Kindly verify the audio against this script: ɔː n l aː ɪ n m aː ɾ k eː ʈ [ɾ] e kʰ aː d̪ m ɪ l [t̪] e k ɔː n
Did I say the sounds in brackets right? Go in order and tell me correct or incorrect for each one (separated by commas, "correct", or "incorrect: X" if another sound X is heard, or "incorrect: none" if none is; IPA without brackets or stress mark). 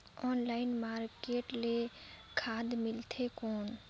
incorrect: l, incorrect: t̪ʰ